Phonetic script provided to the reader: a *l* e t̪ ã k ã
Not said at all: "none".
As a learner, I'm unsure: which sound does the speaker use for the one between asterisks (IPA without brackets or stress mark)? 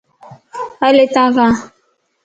l